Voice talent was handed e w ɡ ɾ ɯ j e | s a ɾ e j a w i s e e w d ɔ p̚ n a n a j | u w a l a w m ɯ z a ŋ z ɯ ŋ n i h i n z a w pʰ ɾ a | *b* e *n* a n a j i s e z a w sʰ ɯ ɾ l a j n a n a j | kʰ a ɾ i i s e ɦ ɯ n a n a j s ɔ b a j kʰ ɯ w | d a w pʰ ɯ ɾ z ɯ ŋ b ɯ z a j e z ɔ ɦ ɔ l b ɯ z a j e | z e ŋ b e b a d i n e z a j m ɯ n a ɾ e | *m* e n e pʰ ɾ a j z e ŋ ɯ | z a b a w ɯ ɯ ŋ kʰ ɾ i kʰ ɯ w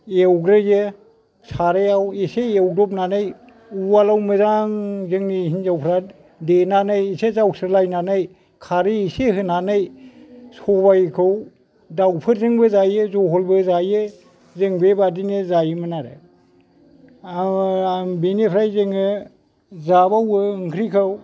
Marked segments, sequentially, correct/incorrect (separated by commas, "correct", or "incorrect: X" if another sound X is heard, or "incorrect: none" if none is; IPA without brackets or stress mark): incorrect: d, correct, incorrect: b